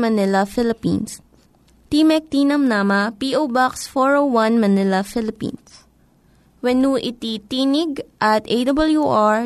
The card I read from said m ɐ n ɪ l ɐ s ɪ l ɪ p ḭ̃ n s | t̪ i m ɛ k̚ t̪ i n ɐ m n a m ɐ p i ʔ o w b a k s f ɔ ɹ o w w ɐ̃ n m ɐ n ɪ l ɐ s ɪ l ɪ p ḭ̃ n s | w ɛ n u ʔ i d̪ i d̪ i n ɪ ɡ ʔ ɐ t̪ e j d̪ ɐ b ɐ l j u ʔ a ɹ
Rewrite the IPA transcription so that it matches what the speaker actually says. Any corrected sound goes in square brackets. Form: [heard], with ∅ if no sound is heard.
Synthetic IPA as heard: m ɐ n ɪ l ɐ [f] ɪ l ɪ p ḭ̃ n s | t̪ i m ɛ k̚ t̪ i n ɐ m n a m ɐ p i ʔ o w b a k s f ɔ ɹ o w w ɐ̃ n m ɐ n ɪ l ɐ [f] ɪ l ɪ p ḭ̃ n s | w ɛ n u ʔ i [t̪] i [t̪] i n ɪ ɡ ʔ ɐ t̪ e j d̪ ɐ b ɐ l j u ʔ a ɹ